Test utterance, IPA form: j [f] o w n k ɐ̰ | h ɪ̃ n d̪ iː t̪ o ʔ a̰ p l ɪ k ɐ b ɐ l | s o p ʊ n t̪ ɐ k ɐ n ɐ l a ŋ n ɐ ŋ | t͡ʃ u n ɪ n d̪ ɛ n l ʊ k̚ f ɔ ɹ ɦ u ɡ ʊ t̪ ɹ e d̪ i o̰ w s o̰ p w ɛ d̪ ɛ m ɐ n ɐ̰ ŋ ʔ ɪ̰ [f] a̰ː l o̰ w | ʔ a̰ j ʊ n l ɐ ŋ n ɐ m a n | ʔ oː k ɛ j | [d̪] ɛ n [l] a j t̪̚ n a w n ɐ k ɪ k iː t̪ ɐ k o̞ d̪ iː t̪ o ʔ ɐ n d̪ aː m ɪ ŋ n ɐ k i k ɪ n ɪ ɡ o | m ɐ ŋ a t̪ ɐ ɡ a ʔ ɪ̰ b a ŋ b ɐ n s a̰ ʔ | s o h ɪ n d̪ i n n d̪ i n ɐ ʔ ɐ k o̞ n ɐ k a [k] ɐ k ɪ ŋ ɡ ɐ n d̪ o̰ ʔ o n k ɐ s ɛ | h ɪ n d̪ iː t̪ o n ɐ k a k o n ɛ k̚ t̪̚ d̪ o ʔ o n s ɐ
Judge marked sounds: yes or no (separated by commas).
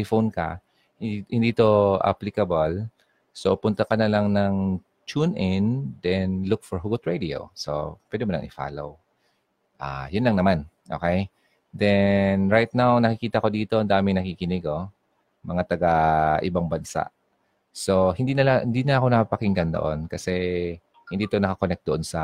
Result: yes, yes, yes, no, no